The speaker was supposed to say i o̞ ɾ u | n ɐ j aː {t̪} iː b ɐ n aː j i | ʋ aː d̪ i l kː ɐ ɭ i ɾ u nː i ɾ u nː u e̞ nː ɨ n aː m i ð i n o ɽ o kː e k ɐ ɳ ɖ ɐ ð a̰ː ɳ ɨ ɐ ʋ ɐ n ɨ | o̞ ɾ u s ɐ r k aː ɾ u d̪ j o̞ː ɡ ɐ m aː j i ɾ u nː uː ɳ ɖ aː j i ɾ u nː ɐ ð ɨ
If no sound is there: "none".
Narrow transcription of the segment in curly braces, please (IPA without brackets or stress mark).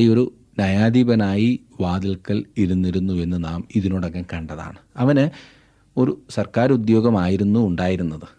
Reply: d̪